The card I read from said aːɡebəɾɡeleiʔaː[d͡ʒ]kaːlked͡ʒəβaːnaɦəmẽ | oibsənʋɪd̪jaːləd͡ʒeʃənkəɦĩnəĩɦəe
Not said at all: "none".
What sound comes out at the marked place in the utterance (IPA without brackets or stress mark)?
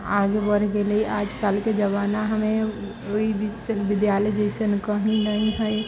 d͡ʒ